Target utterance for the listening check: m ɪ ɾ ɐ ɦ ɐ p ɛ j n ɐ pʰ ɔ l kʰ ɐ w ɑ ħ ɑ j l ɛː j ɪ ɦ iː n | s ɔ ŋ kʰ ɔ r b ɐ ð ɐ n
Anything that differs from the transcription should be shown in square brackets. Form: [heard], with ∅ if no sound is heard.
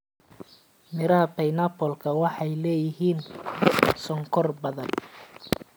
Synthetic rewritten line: m ɪ ɾ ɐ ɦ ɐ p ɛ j n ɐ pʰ ɔ l kʰ ɐ w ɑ ħ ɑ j l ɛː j ɪ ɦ iː n | s ɔ ŋ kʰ ɔ r b ɐ ð ɐ n